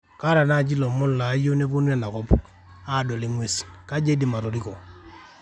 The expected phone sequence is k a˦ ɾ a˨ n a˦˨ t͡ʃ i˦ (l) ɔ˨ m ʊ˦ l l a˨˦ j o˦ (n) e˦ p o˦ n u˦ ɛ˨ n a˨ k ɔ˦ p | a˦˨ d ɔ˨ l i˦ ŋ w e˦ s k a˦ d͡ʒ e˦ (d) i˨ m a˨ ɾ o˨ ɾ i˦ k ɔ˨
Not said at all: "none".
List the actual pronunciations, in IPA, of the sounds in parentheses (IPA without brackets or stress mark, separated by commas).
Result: l, n, d